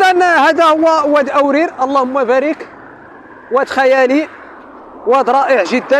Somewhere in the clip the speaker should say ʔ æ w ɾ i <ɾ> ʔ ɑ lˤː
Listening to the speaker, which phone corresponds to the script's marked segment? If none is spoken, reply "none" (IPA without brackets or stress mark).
ɾ